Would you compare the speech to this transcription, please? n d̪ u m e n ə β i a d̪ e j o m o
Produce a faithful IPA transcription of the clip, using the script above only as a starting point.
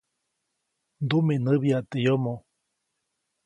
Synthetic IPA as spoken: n d̪ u m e n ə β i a t̪ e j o m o